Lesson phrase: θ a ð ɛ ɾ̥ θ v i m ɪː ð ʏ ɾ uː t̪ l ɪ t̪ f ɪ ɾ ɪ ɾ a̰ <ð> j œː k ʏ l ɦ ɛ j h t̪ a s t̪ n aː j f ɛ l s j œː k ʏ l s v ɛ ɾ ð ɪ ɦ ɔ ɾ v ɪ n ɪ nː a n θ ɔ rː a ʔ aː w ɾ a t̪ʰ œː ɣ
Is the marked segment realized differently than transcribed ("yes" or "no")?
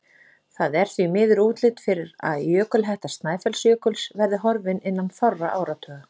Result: no